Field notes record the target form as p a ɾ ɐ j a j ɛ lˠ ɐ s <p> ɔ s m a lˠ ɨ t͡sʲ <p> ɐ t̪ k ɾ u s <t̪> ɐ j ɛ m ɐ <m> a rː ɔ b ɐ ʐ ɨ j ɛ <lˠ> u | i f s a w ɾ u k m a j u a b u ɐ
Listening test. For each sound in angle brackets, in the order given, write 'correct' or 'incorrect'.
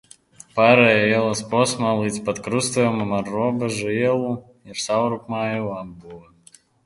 correct, correct, correct, correct, correct

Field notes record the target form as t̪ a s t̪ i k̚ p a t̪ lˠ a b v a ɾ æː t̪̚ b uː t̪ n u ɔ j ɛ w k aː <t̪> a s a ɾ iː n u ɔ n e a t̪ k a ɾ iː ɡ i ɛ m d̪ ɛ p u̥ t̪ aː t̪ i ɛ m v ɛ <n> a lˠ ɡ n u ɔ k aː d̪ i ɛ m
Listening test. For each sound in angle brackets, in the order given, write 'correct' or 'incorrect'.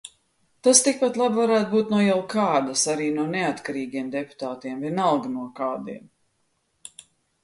incorrect, correct

